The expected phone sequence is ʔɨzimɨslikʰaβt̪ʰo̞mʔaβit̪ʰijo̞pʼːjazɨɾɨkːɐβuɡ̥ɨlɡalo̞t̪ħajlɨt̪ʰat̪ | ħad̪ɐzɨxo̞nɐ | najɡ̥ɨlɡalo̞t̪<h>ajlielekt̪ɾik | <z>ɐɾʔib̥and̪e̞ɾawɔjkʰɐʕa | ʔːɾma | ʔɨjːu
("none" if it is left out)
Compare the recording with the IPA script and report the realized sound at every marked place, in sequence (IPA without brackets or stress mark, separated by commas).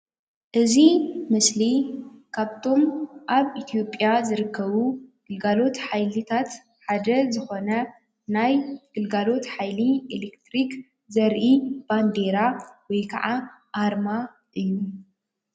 ħ, z